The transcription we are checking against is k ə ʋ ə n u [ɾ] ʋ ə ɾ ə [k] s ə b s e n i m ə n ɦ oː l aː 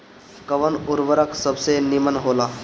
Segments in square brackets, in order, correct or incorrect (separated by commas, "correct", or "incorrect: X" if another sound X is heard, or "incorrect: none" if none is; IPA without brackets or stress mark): correct, correct